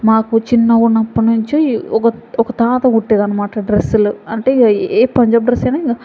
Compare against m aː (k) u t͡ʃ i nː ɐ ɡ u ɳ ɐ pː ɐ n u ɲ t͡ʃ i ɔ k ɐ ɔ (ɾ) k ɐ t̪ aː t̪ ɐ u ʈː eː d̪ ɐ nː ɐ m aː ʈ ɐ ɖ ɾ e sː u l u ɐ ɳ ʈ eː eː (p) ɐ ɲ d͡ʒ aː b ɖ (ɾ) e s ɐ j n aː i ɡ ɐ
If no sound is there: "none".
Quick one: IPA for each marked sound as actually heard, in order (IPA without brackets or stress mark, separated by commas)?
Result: k, none, p, ɾ